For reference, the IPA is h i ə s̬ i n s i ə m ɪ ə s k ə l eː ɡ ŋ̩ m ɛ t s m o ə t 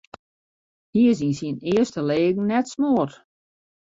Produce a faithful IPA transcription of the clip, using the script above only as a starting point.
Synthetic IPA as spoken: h i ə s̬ i n s i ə n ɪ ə s t ə l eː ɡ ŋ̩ n ɛ t s m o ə t